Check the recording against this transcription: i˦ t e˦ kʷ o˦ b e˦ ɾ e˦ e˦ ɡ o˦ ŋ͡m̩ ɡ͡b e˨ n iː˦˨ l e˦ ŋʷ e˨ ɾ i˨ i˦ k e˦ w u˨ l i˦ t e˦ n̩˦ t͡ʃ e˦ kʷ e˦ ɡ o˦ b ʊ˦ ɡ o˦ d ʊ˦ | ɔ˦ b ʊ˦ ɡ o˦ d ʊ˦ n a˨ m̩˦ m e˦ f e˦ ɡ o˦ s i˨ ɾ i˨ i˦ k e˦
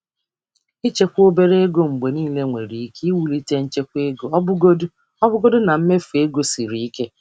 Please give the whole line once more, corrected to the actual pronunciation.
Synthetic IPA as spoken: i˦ t͡ʃ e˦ kʷ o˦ b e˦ ɾ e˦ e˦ ɡ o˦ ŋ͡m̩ ɡ͡b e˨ n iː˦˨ l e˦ ŋʷ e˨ ɾ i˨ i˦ k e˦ w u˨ l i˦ t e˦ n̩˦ t͡ʃ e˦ kʷ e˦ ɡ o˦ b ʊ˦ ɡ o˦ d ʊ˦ | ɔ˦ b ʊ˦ ɡ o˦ d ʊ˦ n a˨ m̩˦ m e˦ f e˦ ɡ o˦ s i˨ ɾ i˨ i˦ k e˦